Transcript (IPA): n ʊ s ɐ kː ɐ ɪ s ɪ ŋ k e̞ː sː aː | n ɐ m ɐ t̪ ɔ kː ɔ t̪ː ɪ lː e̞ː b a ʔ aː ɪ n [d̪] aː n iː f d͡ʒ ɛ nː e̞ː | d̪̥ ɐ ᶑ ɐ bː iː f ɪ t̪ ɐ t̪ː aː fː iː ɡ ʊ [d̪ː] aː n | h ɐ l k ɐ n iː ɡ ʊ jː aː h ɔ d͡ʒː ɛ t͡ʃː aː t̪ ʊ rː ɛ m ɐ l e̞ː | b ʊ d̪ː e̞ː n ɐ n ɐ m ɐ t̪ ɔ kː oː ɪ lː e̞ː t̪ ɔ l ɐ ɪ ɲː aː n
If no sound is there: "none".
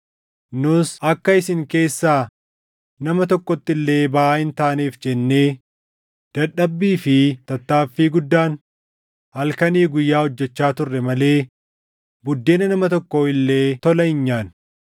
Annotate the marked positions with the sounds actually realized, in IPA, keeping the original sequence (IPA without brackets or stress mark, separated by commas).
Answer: t̪, d̪ː